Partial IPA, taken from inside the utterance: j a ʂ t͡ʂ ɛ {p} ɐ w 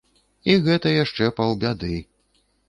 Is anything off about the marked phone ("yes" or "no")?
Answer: no